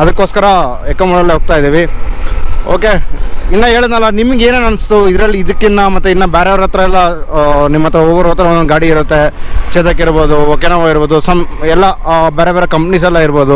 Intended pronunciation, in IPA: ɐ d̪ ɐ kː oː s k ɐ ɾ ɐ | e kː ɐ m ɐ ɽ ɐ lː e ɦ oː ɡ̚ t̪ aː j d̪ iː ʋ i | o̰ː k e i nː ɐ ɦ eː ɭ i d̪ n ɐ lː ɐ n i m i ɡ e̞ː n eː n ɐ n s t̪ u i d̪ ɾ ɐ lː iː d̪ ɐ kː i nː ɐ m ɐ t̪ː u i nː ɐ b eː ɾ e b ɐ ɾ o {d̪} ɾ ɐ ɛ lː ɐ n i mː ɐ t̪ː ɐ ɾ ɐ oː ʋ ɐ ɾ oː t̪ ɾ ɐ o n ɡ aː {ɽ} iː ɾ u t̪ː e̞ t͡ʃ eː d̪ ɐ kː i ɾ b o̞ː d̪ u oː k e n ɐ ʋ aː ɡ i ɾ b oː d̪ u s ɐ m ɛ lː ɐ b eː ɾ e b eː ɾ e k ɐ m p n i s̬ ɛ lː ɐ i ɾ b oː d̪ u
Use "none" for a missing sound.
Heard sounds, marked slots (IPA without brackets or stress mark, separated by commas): t̪, ɽ